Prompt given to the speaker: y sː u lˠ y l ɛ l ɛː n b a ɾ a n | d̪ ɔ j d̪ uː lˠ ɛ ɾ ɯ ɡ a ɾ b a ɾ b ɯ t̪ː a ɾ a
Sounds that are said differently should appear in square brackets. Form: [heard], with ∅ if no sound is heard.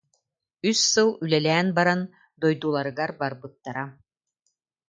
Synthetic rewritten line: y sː [ɯ] lˠ y l ɛ l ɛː n b a ɾ a n | d̪ ɔ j d̪ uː lˠ [a] ɾ ɯ ɡ a ɾ b a ɾ b ɯ t̪ː a ɾ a